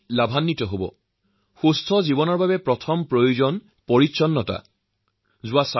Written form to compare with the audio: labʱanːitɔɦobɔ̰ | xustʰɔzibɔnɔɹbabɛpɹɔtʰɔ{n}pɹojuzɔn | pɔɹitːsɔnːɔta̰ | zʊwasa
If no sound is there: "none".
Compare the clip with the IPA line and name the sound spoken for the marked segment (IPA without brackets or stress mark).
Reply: m